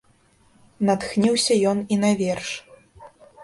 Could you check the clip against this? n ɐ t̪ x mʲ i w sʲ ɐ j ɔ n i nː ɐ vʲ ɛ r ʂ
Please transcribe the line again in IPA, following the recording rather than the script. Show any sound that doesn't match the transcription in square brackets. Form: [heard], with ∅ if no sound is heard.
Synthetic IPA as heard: n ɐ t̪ x [nʲ] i w sʲ ɐ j ɔ n i [n] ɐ vʲ ɛ r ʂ